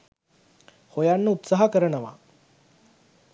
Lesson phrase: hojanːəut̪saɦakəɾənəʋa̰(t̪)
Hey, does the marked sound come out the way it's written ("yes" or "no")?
no